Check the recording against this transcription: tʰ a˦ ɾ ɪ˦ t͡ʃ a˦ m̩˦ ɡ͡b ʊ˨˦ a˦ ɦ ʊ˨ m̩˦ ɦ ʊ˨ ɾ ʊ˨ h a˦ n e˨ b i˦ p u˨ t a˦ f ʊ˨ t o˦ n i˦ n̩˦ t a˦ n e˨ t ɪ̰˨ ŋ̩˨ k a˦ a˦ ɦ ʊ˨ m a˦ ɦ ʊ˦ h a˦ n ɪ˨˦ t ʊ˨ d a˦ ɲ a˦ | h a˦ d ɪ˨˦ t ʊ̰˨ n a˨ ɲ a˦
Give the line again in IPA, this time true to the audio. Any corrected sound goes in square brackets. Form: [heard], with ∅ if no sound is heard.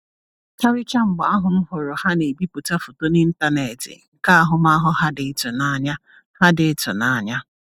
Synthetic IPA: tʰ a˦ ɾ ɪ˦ t͡ʃ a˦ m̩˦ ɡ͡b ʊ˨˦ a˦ ɦ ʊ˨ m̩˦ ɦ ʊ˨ ɾ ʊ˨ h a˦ n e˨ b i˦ p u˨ t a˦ f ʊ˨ t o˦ n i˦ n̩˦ t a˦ n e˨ t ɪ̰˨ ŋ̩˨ k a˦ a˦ ɦ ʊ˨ m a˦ ɦ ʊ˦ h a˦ [d] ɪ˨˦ t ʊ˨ [n] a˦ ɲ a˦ | h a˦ d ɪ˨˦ t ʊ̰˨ n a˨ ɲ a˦

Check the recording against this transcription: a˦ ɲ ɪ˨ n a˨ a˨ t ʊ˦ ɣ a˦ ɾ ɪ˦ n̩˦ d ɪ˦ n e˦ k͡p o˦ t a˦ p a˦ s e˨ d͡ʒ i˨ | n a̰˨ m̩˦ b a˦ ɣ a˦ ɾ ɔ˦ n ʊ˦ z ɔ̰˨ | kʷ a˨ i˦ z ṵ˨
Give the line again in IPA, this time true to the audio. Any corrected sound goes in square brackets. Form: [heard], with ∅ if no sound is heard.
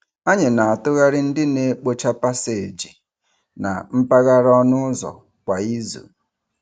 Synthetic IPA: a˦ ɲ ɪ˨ n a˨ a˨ t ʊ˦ ɣ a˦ ɾ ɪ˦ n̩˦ d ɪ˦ n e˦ k͡p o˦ [t͡ʃ] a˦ p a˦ s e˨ d͡ʒ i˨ | n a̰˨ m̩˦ [p] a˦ ɣ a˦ ɾ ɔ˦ n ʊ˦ z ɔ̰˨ | kʷ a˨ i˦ z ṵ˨

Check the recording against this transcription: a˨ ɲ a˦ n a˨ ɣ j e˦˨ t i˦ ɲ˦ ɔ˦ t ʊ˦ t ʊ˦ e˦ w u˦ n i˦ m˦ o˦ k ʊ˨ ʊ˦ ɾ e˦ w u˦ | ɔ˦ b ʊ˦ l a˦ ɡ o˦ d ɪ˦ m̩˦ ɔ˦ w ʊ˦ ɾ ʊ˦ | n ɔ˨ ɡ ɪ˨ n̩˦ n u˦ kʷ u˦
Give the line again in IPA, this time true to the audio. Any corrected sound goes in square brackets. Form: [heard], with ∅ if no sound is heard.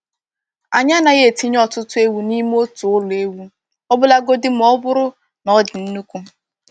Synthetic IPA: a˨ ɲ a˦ n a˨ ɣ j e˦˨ t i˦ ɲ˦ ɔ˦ t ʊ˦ t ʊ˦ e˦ w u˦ n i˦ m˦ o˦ [t] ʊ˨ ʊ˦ [l] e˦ w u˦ | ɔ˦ b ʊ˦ l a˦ ɡ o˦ d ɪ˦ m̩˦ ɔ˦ [b] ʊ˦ ɾ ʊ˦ | n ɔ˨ [d] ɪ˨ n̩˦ n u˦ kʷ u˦

